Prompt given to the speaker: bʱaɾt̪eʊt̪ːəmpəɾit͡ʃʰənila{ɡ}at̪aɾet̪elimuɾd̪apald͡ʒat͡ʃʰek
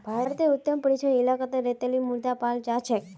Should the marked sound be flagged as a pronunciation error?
yes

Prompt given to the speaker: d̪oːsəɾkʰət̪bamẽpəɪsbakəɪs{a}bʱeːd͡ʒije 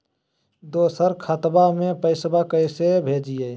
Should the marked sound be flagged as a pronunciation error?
yes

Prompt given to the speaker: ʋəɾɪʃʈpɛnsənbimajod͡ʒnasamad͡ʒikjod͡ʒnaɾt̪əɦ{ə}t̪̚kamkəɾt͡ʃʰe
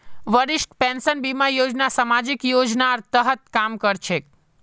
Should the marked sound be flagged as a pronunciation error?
no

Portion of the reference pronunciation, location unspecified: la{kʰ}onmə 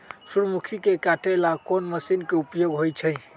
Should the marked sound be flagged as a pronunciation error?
yes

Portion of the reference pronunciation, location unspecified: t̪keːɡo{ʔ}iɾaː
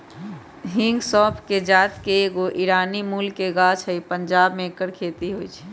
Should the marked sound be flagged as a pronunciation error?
no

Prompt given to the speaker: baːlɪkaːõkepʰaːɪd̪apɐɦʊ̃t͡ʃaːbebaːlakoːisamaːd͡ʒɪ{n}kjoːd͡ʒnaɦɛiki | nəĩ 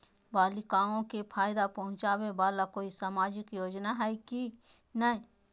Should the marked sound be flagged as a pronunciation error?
yes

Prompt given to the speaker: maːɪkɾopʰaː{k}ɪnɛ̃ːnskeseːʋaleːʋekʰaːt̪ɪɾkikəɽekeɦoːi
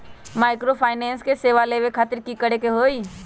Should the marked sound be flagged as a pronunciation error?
yes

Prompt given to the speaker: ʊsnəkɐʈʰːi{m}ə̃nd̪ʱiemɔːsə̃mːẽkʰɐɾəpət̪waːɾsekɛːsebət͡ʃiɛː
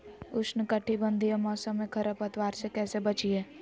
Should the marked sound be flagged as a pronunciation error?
yes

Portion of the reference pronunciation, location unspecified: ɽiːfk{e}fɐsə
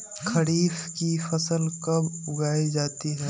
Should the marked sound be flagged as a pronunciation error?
yes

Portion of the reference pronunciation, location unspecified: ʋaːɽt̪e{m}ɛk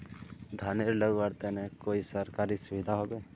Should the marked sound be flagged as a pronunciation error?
yes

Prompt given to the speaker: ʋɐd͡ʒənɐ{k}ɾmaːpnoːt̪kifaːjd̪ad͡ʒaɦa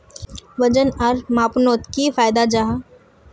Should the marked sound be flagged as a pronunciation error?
yes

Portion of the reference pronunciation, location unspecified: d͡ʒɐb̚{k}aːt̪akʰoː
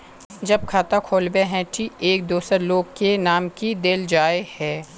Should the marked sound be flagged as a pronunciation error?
yes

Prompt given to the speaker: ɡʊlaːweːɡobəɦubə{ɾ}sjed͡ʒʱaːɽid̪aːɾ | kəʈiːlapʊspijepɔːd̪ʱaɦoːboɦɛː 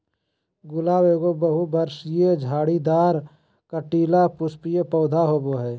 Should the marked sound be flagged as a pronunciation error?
no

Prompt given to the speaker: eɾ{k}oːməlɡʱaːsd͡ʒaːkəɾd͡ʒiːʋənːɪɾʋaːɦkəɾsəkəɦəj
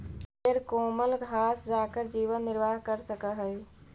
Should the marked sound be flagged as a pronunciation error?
no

